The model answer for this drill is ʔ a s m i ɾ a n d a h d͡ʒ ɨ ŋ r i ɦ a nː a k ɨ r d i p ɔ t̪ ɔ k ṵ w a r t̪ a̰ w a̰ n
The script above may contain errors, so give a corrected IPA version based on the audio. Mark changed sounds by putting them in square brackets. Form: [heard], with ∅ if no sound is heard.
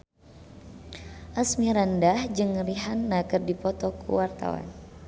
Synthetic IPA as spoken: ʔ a s m i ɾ a n d a h d͡ʒ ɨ ŋ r i ɦ a nː a k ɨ r d i p ɔ t̪ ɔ k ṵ w a r t̪ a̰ w a̰ n